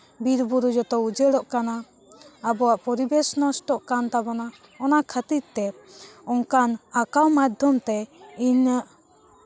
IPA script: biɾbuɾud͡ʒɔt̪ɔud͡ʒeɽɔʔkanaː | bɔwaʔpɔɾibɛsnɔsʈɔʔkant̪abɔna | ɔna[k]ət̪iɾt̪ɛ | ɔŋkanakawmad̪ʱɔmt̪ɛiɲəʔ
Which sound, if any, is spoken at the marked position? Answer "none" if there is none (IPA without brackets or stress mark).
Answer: kʰ